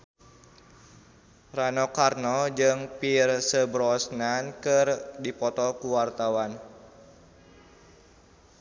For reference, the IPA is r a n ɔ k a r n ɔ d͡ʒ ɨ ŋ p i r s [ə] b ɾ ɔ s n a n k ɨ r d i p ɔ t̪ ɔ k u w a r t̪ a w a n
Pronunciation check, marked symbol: correct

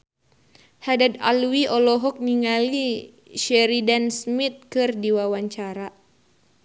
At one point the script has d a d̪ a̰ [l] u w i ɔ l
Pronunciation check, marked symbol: correct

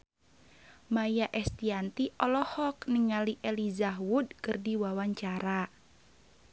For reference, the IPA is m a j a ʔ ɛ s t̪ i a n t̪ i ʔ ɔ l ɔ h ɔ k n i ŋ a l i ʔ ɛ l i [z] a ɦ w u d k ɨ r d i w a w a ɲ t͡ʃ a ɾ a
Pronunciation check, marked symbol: correct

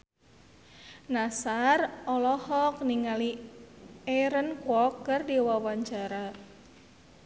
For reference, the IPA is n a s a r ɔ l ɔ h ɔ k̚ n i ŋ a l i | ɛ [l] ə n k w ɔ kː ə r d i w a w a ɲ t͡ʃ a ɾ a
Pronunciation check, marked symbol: incorrect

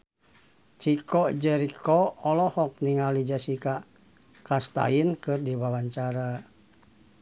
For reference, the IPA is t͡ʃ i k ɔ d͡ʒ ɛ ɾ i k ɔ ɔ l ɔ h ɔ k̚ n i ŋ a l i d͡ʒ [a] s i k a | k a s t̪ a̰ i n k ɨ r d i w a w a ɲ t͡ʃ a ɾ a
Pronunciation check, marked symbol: correct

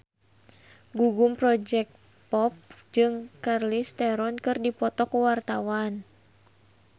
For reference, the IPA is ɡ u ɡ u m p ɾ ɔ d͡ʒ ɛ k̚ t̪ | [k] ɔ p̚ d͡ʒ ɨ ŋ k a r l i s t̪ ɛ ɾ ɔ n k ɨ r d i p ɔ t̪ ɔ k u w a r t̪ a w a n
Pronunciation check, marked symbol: incorrect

